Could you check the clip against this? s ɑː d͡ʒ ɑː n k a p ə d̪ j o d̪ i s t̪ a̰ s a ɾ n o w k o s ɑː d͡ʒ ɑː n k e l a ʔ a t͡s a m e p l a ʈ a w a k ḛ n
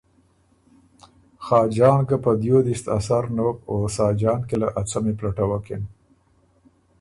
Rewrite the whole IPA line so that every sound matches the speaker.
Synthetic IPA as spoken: x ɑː d͡ʒ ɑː n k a p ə d̪ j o d̪ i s t̪ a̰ s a ɾ n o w k o s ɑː d͡ʒ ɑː n k e l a ʔ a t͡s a m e p l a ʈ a w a k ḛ n